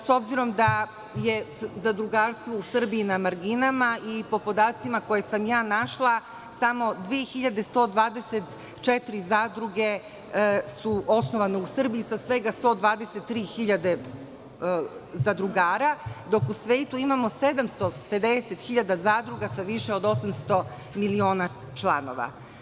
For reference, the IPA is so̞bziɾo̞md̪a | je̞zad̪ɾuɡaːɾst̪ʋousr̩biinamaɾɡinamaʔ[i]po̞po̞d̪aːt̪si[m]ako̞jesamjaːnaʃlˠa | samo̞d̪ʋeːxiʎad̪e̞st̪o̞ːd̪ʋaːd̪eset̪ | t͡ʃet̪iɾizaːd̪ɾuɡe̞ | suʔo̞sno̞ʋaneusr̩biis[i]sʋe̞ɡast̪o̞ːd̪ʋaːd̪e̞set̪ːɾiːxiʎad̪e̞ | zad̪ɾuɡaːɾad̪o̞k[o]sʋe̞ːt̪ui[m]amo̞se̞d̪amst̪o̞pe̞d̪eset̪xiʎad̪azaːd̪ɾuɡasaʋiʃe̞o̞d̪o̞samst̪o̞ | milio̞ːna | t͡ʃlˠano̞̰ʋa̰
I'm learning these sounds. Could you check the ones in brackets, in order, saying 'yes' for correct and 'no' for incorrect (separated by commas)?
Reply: yes, yes, no, no, yes